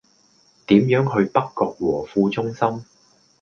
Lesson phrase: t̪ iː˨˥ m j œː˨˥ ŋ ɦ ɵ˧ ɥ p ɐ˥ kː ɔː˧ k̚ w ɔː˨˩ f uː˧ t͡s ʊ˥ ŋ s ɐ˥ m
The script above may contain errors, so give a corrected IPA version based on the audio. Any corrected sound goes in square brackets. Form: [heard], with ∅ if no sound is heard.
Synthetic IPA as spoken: t̪ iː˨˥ m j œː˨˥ ŋ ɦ ɵ˧ ɥ p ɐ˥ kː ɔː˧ k̚ w ɔː˨˩ f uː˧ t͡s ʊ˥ ŋ s ɐ˥ m